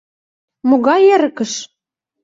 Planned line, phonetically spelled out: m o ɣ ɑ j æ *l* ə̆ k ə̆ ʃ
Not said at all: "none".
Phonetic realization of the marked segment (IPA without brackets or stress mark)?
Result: ɾ